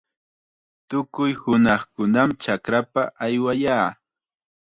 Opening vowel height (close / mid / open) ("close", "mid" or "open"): close